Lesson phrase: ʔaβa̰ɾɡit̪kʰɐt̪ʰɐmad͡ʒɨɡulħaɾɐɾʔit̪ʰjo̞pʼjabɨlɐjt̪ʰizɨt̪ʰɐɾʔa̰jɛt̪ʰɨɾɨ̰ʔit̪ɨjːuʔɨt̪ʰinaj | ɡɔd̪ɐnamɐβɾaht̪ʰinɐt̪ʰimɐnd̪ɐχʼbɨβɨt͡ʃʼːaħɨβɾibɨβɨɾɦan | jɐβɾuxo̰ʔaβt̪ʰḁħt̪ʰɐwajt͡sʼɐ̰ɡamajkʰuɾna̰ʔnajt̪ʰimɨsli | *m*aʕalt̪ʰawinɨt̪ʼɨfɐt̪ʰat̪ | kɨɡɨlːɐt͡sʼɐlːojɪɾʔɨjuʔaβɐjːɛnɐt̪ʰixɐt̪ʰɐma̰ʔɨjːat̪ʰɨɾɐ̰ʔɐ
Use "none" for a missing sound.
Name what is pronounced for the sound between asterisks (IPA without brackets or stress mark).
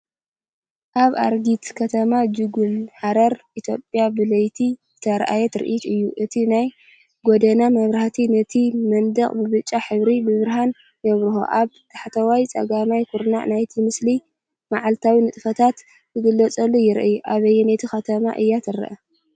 m